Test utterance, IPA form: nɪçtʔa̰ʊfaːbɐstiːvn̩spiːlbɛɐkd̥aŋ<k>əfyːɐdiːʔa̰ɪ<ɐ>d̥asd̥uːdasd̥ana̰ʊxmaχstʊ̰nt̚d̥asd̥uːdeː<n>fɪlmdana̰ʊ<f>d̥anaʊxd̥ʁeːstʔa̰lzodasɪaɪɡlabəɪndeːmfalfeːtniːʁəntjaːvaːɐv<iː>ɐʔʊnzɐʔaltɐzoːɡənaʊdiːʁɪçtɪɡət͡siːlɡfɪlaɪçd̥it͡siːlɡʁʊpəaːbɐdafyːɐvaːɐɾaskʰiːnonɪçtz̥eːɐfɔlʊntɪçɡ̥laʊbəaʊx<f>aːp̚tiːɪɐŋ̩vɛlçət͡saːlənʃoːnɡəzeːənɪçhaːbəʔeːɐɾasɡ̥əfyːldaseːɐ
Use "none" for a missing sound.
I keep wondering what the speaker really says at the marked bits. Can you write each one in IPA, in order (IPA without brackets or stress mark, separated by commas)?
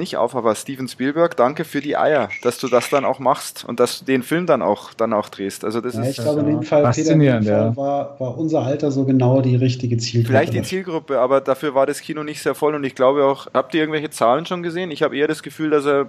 k, ɐ, n, x, aː, h